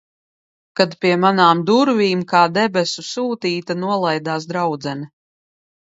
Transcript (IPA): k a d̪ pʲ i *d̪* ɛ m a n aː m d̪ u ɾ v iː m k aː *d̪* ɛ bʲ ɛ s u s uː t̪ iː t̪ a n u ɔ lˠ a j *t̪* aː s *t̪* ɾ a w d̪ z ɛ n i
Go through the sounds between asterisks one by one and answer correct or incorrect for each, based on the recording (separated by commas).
incorrect, correct, incorrect, incorrect